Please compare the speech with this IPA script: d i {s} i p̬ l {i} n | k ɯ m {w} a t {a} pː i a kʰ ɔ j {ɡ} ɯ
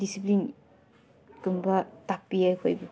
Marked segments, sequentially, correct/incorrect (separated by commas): correct, correct, incorrect, correct, incorrect